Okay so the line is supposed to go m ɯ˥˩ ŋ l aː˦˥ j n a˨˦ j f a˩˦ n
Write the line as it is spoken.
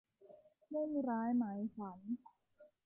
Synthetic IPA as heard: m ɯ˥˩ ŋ ɾ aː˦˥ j m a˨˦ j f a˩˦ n